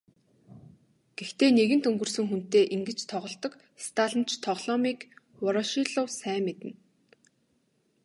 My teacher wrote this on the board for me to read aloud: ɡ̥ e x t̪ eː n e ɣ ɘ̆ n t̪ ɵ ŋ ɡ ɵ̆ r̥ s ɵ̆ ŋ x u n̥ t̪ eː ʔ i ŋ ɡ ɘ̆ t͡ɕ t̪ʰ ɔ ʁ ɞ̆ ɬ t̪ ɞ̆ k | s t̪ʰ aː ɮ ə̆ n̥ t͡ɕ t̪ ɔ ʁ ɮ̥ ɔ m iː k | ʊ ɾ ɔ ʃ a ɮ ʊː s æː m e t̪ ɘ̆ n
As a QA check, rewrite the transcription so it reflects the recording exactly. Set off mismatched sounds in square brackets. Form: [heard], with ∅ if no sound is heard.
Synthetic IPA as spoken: ɡ̥ e x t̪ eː n e ɣ ɘ̆ n t̪ ɵ ŋ ɡ ɵ̆ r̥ s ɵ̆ ŋ x u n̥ t̪ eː ʔ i ŋ ɡ ɘ̆ t͡ɕ t̪ʰ ɔ ʁ ɞ̆ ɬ t̪ ɞ̆ k | s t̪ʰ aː ɮ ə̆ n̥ t͡ɕ [t̪ʰ] ɔ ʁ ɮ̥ ɔ m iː k | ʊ ɾ ɔ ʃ [i] ɮ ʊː s æː m e t̪ ɘ̆ n